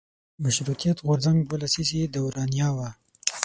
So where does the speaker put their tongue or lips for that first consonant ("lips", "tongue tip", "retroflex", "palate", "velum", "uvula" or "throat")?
lips